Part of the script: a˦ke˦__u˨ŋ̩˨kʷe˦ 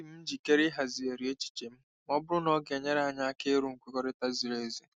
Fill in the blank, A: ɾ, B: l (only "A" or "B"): A